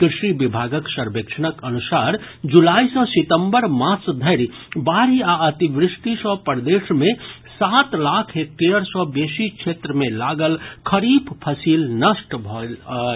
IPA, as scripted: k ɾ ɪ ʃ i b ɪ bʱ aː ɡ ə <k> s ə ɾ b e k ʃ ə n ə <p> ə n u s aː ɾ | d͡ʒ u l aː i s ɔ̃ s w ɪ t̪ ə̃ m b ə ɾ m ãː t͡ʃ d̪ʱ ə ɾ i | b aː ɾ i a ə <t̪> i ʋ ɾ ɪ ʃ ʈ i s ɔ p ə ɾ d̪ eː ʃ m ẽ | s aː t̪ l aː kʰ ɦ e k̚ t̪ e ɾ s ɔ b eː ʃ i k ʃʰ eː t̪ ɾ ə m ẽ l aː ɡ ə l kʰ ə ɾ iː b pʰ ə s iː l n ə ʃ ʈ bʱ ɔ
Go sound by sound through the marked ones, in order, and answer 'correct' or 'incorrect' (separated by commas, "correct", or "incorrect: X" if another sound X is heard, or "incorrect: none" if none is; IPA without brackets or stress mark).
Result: correct, incorrect: k, correct